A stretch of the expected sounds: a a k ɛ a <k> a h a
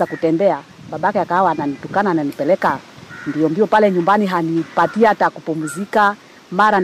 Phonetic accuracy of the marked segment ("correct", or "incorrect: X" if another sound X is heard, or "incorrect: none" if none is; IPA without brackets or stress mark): correct